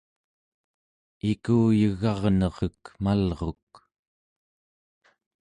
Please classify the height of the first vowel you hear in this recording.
high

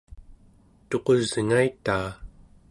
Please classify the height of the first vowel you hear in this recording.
mid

